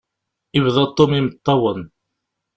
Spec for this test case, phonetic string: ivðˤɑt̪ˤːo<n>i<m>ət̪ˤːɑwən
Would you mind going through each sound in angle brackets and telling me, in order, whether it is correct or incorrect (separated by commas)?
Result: incorrect, correct